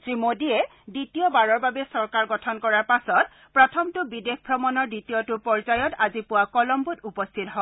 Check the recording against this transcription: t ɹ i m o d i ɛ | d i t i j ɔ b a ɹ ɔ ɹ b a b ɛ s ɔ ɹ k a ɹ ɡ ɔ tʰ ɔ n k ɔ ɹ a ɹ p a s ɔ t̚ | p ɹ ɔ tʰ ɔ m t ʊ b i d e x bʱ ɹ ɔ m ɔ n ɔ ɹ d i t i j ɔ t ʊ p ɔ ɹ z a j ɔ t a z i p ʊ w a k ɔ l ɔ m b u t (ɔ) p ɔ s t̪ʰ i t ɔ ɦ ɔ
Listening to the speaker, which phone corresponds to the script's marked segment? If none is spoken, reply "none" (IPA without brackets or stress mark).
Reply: u